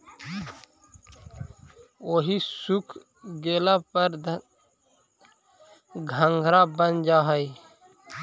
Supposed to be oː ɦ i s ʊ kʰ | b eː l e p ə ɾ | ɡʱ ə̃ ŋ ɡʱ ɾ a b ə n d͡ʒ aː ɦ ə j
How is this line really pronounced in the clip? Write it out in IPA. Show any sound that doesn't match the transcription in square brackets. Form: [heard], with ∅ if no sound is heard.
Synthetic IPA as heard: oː ɦ i s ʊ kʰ | [ɡ] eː l [a] p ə ɾ | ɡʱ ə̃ ŋ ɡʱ ɾ a b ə n d͡ʒ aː ɦ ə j